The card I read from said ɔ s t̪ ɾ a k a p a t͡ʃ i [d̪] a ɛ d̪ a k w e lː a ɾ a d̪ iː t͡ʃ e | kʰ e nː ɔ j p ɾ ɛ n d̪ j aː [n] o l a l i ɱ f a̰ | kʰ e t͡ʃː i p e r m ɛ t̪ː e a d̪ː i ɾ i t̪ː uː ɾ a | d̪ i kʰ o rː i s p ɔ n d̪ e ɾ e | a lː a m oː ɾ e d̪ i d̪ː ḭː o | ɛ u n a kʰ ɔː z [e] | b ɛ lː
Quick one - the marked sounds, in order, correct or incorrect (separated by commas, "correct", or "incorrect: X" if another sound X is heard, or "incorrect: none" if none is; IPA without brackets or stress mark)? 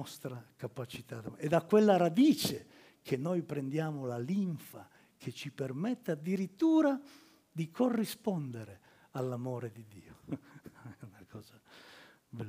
incorrect: t̪, incorrect: m, incorrect: a